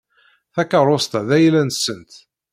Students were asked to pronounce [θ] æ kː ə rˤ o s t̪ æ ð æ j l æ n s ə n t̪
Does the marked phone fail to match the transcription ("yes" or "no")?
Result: no